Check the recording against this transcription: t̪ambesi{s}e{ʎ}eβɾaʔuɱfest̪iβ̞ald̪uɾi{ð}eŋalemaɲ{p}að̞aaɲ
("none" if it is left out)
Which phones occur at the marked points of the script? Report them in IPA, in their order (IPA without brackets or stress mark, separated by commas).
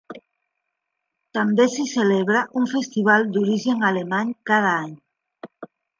s, l, ʒ, k